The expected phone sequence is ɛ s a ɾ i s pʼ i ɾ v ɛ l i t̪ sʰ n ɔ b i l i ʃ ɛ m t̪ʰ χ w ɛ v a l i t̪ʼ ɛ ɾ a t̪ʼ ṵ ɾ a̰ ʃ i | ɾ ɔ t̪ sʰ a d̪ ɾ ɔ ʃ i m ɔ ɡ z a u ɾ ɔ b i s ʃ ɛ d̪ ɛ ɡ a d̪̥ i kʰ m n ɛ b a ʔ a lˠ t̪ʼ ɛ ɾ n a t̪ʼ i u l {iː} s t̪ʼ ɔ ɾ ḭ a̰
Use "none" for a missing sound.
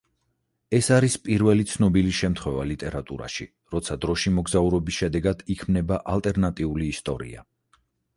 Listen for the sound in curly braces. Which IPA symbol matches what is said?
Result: iː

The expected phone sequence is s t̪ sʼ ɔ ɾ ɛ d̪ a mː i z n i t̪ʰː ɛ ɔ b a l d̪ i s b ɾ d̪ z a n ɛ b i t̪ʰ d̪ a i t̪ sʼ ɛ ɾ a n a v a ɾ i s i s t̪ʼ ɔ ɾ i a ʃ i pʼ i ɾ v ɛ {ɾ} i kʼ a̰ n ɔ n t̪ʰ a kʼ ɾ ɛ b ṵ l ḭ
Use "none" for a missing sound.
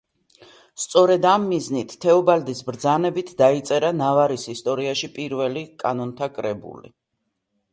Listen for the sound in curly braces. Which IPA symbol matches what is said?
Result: l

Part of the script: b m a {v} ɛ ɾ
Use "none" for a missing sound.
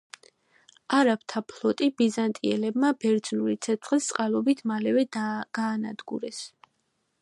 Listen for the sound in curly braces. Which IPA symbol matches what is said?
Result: b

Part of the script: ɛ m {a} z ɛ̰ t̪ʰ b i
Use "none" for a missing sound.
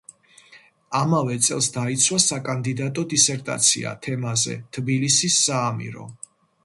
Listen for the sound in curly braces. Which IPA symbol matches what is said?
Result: a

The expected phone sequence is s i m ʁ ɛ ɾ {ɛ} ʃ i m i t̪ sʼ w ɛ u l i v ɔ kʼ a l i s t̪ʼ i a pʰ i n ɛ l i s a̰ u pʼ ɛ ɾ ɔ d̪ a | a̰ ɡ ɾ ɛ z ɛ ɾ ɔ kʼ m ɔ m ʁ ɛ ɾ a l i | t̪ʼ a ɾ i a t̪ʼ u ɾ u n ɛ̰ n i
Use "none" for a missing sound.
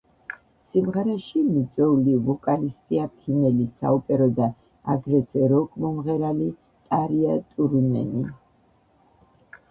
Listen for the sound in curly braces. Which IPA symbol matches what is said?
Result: ɛ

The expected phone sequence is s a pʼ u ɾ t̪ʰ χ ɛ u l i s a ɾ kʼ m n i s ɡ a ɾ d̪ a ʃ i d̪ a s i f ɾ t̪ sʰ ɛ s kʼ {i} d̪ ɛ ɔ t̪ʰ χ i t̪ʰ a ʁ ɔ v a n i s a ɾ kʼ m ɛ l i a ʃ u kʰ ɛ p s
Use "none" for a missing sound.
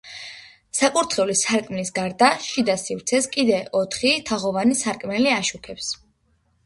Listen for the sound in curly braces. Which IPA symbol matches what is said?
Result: i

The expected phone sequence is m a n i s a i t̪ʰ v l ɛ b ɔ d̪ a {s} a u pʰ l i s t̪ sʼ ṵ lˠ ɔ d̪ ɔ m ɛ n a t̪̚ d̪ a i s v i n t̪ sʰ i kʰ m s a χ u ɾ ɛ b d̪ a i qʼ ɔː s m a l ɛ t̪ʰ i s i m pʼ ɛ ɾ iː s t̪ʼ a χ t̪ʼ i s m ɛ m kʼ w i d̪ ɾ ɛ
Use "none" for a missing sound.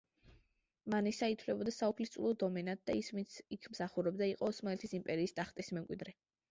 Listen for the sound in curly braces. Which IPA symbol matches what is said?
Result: s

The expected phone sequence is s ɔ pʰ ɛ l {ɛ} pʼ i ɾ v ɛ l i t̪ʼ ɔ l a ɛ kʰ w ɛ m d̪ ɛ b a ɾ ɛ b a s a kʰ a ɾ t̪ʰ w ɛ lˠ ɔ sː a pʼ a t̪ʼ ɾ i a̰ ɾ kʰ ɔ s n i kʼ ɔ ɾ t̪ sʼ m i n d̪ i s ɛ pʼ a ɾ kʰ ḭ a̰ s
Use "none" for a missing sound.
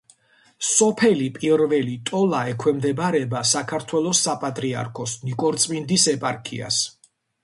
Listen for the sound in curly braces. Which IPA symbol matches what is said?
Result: i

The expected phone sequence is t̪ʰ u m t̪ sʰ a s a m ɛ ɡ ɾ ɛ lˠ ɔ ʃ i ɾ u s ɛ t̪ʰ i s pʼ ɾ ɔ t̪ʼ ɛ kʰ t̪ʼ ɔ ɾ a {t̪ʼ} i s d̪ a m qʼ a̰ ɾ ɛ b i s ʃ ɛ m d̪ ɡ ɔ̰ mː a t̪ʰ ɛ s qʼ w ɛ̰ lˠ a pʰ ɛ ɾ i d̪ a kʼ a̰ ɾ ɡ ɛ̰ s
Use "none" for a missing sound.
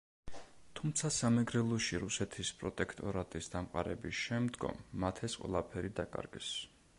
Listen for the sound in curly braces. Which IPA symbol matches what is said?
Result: t̪ʼ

